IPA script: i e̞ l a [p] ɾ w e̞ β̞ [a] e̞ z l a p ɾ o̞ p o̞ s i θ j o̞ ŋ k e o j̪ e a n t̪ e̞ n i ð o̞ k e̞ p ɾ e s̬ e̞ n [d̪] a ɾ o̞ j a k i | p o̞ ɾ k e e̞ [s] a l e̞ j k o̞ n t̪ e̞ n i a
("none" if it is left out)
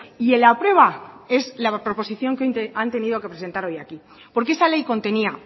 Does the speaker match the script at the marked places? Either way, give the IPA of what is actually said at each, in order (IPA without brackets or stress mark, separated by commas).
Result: p, a, t̪, s